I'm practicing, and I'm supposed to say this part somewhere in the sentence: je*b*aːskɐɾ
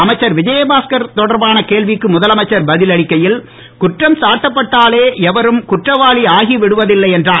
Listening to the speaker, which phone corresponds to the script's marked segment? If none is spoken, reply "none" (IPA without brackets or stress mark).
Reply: b